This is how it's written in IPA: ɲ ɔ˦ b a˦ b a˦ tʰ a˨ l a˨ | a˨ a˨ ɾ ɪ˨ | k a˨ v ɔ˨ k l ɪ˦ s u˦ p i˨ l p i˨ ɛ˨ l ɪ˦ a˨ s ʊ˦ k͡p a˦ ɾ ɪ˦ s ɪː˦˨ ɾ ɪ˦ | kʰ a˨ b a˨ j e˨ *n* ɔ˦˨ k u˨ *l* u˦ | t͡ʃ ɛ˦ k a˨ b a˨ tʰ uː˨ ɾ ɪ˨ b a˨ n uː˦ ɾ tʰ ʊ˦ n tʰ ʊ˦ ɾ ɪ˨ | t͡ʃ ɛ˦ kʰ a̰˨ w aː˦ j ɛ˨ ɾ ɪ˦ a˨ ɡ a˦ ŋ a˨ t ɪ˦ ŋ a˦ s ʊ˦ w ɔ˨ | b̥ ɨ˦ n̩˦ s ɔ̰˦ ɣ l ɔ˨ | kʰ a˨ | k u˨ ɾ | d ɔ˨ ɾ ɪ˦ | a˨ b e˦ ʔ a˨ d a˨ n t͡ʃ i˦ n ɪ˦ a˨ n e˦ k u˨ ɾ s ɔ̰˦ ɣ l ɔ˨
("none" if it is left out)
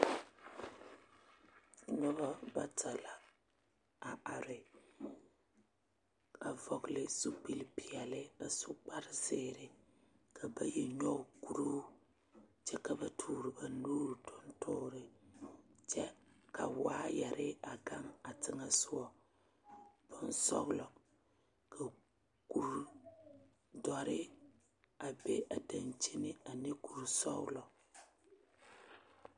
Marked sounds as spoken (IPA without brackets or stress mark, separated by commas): ɲ, ɾ